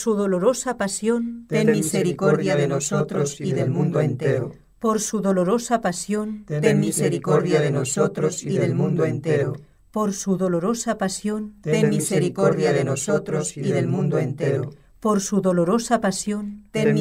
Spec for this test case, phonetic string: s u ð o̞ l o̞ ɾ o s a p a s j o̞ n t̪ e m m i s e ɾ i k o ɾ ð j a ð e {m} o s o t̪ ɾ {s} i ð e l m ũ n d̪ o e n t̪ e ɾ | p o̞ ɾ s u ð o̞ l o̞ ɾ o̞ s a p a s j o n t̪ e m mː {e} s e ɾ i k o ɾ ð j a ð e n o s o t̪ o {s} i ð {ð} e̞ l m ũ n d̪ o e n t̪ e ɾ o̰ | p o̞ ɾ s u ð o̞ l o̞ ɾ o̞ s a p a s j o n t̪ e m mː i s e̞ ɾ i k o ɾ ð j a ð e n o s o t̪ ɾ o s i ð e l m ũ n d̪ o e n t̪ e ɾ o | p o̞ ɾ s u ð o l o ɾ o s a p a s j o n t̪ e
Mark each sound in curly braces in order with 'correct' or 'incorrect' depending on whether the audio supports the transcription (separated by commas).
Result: incorrect, correct, incorrect, correct, correct